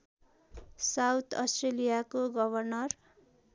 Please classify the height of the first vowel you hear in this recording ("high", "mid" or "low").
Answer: low